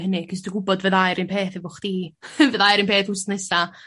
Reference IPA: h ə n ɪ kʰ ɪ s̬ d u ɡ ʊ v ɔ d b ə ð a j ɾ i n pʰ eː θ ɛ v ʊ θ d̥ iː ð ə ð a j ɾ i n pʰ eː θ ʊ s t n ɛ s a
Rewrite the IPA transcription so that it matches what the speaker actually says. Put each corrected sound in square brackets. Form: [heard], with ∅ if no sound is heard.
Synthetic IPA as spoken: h ə n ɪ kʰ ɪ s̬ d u ɡ ʊ [b] ɔ d [v] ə ð a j ɾ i n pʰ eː θ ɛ v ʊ [χ] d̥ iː [v] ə ð a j ɾ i n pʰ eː θ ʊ s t n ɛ s a